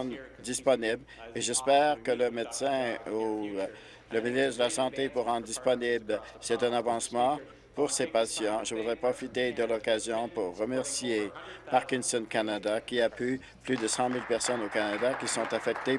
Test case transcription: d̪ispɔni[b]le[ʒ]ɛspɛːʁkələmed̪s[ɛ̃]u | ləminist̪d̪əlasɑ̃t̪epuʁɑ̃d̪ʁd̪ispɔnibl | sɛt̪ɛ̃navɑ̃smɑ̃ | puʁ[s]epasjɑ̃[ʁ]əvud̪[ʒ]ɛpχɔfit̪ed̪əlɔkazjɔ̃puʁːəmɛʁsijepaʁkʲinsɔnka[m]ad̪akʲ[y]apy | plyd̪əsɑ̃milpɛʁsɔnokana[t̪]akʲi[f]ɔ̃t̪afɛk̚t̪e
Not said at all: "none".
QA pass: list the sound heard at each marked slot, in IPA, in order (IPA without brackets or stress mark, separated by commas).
b, ʒ, ɛ̃, s, ʒ, ʁ, n, i, d̪, s